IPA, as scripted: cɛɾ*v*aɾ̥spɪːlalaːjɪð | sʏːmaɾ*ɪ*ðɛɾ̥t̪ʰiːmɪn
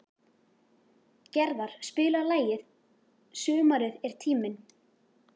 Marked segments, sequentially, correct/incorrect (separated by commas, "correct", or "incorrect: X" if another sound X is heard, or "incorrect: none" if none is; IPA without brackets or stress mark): incorrect: ð, correct